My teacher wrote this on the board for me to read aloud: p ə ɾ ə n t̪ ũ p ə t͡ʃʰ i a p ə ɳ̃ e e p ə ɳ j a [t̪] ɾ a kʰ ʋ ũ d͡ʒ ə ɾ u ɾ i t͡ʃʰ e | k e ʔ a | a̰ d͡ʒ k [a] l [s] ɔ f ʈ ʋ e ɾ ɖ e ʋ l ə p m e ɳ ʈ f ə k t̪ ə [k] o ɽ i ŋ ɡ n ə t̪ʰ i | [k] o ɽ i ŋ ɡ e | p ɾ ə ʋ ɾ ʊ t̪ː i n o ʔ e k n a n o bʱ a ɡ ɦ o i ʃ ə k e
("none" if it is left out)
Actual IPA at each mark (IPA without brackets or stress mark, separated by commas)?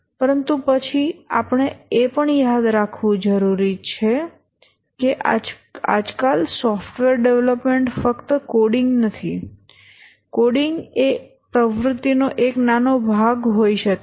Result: d̪, a, s, k, k